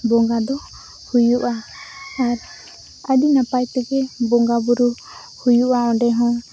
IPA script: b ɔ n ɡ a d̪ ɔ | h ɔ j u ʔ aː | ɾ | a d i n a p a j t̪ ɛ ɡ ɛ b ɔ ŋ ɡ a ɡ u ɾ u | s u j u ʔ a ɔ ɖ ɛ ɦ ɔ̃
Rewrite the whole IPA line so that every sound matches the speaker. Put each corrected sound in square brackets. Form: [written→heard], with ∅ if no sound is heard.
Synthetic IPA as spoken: b ɔ [n→ŋ] ɡ a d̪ ɔ | h [ɔ→u] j u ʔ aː | ɾ | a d i n a p a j t̪ ɛ ɡ ɛ b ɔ ŋ ɡ a [ɡ→b] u ɾ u | [s→h] u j u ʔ a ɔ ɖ ɛ ɦ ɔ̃

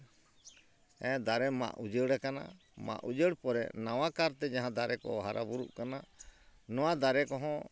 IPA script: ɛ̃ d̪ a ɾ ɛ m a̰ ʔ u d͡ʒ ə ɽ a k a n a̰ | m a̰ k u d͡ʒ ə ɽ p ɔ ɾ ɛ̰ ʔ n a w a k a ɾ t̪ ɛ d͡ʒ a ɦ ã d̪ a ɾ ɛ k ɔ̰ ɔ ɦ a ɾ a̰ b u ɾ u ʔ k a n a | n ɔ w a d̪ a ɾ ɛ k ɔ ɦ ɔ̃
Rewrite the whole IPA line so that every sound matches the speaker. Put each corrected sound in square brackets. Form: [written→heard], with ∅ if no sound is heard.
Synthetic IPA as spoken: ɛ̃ d̪ a ɾ ɛ m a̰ ʔ u d͡ʒ ə ɽ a k a n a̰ | m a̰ [k→ʔ] u d͡ʒ ə ɽ p ɔ ɾ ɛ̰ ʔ n a w a k a ɾ t̪ ɛ d͡ʒ a ɦ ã d̪ a ɾ ɛ k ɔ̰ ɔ ɦ a ɾ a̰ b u ɾ u ʔ k a n a | n ɔ w a d̪ a ɾ ɛ k ɔ ɦ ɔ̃

